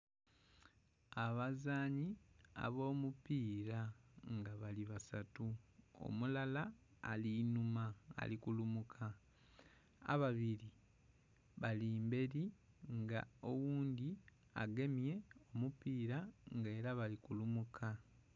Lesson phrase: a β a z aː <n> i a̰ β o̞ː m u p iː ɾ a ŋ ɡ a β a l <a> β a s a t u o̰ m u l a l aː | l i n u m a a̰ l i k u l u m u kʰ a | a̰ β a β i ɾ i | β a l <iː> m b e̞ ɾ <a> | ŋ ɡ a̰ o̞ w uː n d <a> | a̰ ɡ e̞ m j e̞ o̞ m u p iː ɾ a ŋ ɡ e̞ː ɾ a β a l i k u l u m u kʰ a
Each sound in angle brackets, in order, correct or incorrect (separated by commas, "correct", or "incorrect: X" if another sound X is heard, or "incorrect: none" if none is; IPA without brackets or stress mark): incorrect: ɲ, incorrect: i, correct, incorrect: i, incorrect: i